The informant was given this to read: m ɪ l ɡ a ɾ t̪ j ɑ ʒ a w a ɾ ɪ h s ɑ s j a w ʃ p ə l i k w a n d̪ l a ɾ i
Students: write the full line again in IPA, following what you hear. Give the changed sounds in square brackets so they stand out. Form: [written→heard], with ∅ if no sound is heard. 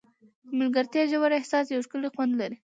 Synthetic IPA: m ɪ l ɡ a ɾ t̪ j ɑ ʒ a w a ɾ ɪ h s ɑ s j a w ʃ [p→k] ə l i [k→x] w a n d̪ l a ɾ i